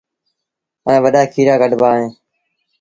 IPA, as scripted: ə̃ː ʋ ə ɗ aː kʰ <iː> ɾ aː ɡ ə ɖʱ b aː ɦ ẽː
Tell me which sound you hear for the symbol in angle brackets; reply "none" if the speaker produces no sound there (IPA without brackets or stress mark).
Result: iː